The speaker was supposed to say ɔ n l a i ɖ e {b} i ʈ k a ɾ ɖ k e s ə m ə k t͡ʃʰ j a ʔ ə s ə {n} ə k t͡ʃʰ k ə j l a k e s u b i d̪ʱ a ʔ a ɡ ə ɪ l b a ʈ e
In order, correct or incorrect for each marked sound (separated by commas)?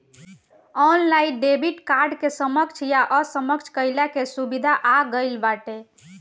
correct, incorrect